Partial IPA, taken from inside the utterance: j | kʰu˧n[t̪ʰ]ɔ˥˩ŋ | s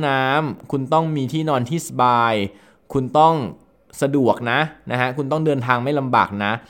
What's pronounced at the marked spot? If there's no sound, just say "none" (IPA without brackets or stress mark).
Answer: t̪